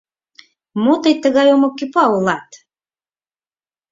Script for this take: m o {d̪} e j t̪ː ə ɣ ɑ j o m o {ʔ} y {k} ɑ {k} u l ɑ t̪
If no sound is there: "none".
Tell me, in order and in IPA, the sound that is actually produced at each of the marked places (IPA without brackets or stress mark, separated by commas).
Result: t̪, k, p, none